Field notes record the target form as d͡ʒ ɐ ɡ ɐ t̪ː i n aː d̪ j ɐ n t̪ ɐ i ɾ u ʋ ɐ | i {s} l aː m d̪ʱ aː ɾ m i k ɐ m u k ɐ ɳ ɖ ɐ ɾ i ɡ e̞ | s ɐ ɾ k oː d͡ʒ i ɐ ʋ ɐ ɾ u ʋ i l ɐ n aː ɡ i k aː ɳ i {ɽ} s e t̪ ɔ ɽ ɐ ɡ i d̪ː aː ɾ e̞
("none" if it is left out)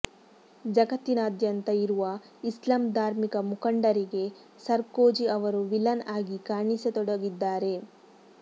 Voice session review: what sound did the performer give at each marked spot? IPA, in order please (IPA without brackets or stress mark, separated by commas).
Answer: s, none